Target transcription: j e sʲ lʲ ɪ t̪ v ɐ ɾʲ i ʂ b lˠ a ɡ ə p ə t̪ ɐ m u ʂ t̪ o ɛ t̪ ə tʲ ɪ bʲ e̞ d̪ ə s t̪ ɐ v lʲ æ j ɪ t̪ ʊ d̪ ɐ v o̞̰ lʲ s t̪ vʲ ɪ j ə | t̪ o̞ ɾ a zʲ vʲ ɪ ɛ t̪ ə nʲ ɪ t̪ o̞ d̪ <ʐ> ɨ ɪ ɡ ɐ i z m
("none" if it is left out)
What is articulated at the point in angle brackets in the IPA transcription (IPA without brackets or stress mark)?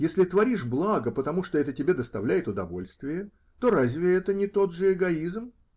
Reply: ʐ